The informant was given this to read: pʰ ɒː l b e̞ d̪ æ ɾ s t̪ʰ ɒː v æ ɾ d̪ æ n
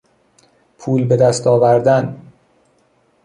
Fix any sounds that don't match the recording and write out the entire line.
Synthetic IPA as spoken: pʰ uː l b e̞ d̪ æ s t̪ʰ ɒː v æ ɾ d̪ æ n